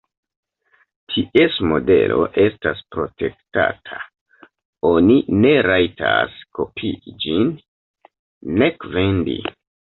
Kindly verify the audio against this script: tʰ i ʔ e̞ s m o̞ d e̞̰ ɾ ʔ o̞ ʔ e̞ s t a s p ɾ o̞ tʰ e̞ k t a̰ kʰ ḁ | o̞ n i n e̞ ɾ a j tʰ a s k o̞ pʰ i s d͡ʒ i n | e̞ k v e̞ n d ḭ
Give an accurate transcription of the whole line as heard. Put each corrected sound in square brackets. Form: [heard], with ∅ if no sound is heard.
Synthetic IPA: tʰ i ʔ e̞ s m o̞ d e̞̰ [l] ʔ o̞ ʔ e̞ s t a s p ɾ o̞ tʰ e̞ k t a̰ [tʰ] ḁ | o̞ n i n e̞ ɾ a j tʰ a s k o̞ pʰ i [∅] d͡ʒ i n | e̞ k v e̞ n d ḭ